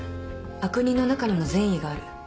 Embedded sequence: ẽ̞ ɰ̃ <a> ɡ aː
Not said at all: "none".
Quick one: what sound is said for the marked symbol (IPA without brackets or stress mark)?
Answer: i